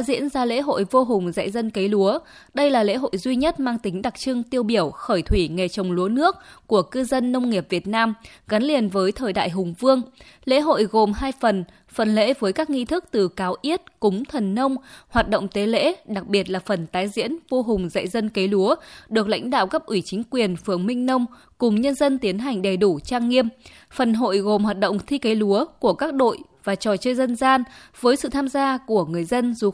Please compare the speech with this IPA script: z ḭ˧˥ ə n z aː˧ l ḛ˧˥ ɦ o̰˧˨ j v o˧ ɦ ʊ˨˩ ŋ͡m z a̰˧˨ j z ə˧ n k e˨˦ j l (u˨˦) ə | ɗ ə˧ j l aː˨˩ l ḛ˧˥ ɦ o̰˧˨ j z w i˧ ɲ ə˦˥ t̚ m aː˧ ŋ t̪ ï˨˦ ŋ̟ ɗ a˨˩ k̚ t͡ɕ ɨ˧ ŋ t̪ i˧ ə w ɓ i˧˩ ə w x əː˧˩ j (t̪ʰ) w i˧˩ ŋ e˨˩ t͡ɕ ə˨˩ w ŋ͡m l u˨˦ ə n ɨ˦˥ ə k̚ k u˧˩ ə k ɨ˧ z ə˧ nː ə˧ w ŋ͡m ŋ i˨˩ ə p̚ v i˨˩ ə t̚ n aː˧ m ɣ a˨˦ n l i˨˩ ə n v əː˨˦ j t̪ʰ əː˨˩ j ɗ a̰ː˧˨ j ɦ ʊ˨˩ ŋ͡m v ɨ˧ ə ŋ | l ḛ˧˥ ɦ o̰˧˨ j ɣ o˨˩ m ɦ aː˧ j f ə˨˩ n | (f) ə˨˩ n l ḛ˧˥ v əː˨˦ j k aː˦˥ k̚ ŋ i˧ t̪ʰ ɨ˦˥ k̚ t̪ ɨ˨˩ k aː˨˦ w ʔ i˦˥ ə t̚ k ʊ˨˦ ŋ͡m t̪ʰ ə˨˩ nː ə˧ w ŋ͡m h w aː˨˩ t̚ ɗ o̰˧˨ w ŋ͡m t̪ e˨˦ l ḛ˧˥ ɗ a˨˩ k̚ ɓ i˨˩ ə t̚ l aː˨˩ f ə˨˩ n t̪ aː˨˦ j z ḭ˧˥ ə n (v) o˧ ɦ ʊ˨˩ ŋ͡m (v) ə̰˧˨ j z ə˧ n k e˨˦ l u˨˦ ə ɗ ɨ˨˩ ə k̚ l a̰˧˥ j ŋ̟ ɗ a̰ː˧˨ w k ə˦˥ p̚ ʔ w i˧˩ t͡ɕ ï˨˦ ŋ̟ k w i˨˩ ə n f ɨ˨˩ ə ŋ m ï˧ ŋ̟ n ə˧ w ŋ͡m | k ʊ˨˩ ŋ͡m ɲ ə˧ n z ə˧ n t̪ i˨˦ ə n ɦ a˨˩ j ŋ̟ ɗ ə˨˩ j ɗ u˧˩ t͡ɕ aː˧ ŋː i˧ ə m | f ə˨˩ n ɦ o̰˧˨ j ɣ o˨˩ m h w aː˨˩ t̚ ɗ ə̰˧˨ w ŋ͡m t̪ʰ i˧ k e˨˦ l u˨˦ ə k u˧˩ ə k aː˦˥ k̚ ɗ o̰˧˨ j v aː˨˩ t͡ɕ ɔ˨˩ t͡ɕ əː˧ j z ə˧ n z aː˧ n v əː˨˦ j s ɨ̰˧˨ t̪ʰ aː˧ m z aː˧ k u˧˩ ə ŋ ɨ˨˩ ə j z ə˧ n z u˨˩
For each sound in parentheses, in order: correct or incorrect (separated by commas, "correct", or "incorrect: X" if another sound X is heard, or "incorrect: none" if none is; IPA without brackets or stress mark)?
correct, correct, correct, correct, incorrect: z